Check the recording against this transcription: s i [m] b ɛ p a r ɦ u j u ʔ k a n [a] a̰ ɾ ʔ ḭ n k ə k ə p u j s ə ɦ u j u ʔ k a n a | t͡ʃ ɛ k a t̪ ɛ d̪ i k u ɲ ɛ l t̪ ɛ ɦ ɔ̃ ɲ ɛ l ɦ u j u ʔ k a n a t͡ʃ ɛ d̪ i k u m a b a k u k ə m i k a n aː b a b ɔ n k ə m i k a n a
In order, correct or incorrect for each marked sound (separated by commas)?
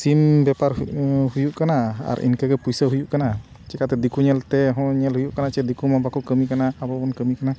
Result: correct, correct